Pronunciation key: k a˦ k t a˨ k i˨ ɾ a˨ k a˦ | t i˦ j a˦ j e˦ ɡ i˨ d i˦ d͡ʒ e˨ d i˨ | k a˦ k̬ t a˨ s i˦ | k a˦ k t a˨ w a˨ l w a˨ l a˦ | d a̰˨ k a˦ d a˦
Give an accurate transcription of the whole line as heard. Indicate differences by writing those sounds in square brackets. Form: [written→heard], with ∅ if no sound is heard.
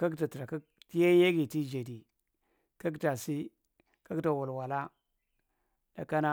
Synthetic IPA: k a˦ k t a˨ [k→t] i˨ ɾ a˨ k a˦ | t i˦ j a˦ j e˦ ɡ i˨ [d→t] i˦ d͡ʒ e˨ d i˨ | k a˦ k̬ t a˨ s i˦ | k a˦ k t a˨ w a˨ l w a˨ l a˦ | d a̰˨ k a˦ [d→n] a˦

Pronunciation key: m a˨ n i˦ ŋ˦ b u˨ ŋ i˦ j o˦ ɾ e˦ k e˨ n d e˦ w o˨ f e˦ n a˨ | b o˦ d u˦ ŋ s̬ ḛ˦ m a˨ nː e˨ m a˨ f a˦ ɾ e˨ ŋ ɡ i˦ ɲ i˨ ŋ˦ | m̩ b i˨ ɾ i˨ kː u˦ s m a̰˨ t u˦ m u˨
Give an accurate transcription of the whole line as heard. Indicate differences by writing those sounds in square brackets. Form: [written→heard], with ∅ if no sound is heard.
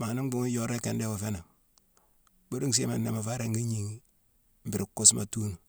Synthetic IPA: m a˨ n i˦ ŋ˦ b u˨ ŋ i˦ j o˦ ɾ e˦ k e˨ n d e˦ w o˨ f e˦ n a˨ | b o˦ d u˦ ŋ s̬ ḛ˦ m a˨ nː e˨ m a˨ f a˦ ɾ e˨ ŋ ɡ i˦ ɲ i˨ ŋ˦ | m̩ b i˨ ɾ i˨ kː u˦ s m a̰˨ t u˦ [m→n] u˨

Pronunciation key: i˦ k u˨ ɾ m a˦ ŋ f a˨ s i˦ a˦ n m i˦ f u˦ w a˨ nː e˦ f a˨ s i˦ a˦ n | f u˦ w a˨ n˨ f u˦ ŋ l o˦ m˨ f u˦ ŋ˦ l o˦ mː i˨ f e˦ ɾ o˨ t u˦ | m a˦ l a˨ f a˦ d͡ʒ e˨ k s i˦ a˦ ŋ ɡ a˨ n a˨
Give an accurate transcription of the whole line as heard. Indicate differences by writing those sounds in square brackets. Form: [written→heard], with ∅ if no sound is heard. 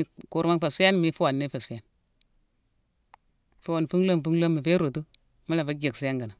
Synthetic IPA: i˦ k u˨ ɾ m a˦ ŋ f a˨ s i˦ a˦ n m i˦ f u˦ w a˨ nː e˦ f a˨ s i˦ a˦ n | f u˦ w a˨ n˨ f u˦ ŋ l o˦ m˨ f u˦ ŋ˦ l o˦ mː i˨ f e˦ ɾ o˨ t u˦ | m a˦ l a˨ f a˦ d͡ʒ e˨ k s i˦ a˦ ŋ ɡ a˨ n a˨

